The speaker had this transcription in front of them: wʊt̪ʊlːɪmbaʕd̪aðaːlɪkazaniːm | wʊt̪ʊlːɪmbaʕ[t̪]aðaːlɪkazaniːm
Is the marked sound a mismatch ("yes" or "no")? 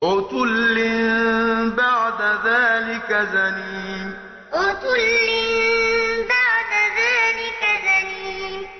yes